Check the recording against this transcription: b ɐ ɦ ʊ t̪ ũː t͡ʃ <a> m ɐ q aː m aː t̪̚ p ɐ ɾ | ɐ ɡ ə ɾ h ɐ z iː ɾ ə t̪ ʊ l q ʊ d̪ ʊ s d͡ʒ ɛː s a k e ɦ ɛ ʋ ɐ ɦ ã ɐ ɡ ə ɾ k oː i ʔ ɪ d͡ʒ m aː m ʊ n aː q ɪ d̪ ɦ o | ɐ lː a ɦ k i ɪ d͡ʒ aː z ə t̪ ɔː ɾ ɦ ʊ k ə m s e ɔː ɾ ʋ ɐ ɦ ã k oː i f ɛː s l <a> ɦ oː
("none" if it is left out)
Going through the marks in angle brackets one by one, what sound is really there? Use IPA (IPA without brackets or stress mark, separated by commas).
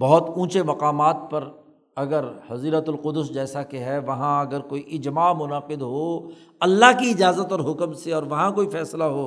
e, a